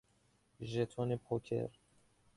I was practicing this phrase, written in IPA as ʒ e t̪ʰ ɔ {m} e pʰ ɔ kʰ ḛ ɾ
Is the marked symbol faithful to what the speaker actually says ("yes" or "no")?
no